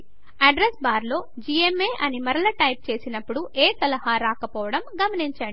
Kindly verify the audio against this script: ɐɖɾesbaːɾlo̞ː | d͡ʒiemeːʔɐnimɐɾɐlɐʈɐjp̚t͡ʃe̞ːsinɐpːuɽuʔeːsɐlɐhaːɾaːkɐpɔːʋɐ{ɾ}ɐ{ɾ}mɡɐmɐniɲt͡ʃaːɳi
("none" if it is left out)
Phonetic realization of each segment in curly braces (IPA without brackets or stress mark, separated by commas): ɽ, none